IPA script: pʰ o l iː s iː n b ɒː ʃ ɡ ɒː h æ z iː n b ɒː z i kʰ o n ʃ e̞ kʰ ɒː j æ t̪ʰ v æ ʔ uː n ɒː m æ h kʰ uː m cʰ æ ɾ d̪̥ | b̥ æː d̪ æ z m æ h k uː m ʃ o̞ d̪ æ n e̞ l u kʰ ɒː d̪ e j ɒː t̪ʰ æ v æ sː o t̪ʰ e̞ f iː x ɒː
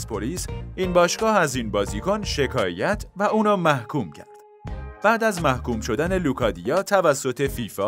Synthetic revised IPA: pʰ o l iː s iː n b ɒː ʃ ɡ ɒː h æ z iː n b ɒː z i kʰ o n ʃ e̞ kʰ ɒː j æ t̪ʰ v æ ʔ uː n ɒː m æ h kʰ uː m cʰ æ ɾ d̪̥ | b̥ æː d̪ æ z m æ h k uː m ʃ o̞ d̪ æ n e̞ l u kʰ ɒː d̪ i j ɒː t̪ʰ æ v æ sː o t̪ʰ e̞ f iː f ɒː

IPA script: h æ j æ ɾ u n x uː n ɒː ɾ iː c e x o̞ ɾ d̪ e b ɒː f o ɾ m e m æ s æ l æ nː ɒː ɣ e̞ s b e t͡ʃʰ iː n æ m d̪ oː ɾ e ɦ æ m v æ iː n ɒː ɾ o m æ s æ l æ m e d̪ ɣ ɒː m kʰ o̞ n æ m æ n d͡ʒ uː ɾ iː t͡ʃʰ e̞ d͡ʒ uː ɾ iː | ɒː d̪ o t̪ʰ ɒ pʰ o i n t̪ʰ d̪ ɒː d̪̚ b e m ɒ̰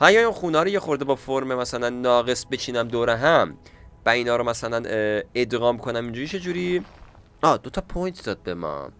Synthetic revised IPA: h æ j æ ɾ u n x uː n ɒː ɾ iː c e x o̞ ɾ d̪ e b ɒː f o ɾ m e m æ s æ l æ nː ɒː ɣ e̞ s b e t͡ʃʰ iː n æ m d̪ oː ɾ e ɦ æ m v æ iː n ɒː ɾ o m æ s æ l æ n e d̪ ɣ ɒː m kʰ o̞ n æ m i n d͡ʒ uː ɾ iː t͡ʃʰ e̞ d͡ʒ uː ɾ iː | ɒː d̪ o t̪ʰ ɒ pʰ o j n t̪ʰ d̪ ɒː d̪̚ b e m ɒ̰

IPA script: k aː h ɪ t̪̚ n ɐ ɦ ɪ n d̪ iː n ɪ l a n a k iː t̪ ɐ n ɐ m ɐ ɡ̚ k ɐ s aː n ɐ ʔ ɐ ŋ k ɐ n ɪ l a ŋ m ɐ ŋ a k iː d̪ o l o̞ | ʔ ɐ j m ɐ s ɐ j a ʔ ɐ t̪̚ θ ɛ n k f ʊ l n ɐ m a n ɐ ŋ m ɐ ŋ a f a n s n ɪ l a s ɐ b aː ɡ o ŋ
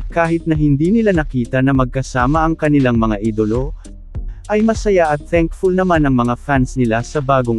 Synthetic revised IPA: k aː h ɪ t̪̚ n ɐ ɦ ɪ n d̪ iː n ɪ l a n ɐ k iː t̪ ɐ n ɐ m ɐ ɡ̚ k ɐ s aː m ɐ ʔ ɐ ŋ k ɐ n ɪ l a ŋ m ɐ ŋ a ʔ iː d̪ o l o̞ | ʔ ɐ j m ɐ s ɐ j a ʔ ɐ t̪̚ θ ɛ ŋ k f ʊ l n ɐ m a n ɐ ŋ m ɐ ŋ a f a n s n ɪ l a s ɐ b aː ɡ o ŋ

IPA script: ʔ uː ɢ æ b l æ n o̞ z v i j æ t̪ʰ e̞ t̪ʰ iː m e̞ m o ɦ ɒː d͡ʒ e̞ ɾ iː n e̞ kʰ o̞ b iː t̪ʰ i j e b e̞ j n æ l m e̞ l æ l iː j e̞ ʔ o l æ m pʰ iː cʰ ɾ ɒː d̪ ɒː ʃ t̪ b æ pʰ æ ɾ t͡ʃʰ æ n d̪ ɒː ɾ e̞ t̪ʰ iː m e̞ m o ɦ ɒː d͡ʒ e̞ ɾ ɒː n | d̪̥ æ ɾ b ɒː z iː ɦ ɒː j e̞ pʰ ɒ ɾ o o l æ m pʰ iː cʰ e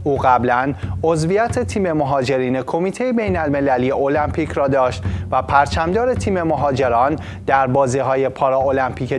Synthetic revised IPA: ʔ uː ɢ æ b l æ n o̞ z v i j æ t̪ʰ e̞ t̪ʰ iː m e̞ m o ɦ ɒː d͡ʒ e̞ ɾ iː n e̞ kʰ o̞ m iː t̪ʰ e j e b e̞ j n æ l m e̞ l æ l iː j e̞ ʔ o l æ m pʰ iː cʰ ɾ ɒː d̪ ɒː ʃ t̪ v æ pʰ æ ɾ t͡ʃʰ æ m d̪ ɒː ɾ e̞ t̪ʰ iː m e̞ m o ɦ ɒː d͡ʒ e̞ ɾ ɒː n | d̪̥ æ ɾ b ɒː z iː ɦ ɒː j e̞ pʰ ɒ ɾ ɒ o l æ m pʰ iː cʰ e

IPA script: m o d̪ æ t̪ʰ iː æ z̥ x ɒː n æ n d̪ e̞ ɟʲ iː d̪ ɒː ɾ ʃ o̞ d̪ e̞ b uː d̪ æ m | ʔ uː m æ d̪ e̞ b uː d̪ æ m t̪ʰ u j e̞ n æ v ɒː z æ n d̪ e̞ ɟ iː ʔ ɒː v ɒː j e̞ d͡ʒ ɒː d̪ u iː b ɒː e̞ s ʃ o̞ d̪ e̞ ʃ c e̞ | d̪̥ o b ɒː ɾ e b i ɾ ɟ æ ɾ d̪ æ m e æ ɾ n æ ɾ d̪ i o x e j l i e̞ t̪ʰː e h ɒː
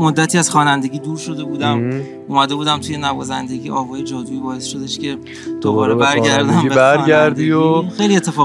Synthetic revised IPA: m o d̪ː æ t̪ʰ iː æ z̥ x ɒː n æ n d̪ e̞ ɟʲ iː d̪ uː ɾ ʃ o̞ d̪ e̞ b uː d̪ æ m | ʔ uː m æ d̪ e̞ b uː d̪ æ m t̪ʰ u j e̞ n æ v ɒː z æ n d̪ e̞ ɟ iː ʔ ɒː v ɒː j e̞ d͡ʒ ɒː d̪ u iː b ɒː e̞ s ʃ o̞ d̪ e̞ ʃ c e̞ | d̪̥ o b ɒː ɾ e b æ ɾ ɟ æ ɾ d̪ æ m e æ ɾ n æ ɾ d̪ i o x e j l i e̞ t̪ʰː e f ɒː

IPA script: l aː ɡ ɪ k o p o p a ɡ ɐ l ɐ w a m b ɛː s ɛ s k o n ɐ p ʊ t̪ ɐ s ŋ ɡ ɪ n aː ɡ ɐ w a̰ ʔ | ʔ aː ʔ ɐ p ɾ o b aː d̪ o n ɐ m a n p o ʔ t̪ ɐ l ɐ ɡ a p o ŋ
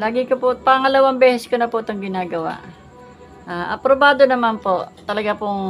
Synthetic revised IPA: l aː ɡ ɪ k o p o p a ŋ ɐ l ɐ w a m b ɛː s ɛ s k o n ɐ p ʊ t̪ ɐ ŋ ɡ ɪ n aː ɡ ɐ w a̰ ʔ | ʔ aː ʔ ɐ p ɾ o b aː d̪ o n ɐ m a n p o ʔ t̪ ɐ l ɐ ɡ a p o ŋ

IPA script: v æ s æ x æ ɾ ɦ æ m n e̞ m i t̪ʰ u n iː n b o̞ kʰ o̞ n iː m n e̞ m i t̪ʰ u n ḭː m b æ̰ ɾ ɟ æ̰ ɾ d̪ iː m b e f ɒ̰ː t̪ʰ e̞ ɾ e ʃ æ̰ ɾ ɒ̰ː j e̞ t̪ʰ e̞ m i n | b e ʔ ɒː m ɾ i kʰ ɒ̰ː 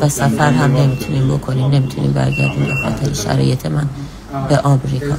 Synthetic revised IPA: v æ s æ f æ ɾ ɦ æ m n e̞ m i t̪ʰ u n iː m b o̞ kʰ o̞ n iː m n e̞ m i t̪ʰ u n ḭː m b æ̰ ɾ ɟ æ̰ ɾ d̪ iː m b e x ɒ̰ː t̪ʰ e̞ ɾ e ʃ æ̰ ɾ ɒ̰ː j e̞ t̪ʰ e̞ m æ n | b e ʔ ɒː m ɾ i kʰ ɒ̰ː

